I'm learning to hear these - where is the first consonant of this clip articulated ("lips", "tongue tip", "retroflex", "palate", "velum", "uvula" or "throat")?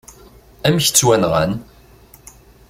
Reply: lips